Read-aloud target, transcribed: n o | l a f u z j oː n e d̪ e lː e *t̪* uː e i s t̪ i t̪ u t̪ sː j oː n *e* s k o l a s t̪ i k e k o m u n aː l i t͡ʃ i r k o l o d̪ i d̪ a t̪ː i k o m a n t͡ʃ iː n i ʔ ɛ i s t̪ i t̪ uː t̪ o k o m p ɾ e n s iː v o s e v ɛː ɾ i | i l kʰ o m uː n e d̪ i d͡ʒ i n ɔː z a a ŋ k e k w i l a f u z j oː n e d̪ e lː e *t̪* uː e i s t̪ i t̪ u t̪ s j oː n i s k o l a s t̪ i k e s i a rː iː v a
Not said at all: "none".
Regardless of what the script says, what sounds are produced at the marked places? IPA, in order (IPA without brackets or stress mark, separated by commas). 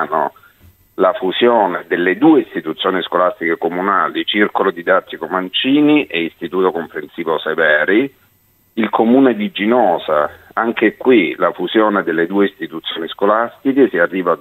d̪, i, d̪